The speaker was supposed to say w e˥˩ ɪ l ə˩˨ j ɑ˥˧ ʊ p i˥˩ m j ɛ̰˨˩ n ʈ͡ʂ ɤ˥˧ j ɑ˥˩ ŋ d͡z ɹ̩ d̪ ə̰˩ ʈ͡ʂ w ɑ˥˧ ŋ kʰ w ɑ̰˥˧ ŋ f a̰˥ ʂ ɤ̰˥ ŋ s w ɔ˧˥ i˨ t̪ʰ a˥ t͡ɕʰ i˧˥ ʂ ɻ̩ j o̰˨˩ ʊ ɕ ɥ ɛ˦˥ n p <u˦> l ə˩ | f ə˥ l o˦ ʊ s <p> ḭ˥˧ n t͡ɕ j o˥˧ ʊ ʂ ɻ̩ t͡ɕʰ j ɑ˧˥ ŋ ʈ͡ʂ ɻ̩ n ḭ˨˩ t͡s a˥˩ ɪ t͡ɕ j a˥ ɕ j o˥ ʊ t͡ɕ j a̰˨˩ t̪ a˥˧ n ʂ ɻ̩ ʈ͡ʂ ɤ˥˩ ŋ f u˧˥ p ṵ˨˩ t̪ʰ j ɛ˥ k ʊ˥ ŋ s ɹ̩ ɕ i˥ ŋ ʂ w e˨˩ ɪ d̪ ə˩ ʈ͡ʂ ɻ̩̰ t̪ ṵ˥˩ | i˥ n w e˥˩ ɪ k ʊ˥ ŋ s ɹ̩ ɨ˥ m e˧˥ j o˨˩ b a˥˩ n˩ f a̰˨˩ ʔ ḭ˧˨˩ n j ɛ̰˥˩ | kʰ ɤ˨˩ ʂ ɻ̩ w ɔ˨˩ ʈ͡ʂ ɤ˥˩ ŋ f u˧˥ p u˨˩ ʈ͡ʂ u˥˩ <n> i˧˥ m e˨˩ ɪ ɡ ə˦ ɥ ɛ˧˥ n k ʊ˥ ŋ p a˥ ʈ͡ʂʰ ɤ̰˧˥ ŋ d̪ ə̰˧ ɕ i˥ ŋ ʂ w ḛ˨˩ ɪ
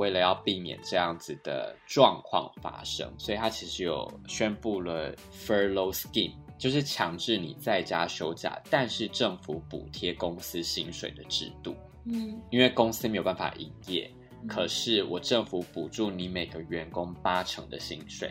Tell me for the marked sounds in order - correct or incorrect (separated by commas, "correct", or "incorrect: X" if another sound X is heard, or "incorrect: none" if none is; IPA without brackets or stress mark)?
incorrect: u˥˩, incorrect: k, correct